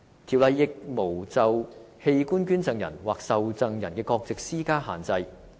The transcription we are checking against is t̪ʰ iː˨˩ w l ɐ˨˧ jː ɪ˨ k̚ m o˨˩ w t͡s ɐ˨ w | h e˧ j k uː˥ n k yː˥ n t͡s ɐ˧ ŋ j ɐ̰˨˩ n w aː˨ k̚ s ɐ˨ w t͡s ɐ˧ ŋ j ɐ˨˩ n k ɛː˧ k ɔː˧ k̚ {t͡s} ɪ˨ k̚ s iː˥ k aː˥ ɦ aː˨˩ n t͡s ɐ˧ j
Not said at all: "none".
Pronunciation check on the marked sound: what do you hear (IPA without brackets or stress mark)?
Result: t͡s